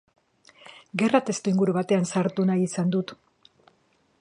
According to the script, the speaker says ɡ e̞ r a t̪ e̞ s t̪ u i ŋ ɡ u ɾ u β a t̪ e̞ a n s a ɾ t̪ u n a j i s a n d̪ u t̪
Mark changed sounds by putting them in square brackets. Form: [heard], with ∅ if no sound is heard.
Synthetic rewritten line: ɡ e̞ r a t̪ e̞ s t̪ u i ŋ ɡ u ɾ u β a t̪ e̞ a n s a ɾ t̪ u n a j i s a n d̪ u t̪